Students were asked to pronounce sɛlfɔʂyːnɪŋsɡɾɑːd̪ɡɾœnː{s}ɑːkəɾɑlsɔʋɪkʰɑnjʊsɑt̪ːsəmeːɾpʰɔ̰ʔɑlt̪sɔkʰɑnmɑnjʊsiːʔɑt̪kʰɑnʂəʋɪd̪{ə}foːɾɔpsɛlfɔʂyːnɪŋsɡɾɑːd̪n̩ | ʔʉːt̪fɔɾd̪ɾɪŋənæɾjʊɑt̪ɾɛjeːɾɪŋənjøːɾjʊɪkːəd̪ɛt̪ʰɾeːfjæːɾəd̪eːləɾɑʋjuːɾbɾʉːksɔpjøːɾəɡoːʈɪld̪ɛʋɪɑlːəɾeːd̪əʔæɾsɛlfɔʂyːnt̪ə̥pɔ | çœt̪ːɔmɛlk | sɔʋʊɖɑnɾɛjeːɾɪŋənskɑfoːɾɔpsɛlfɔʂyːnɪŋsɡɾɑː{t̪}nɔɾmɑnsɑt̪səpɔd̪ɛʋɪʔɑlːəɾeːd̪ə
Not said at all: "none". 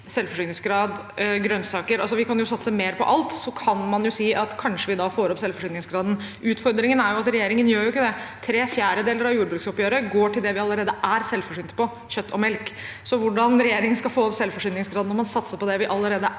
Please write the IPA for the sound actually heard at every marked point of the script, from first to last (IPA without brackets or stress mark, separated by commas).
s, ɑ, d̪